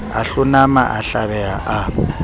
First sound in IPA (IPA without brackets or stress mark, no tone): a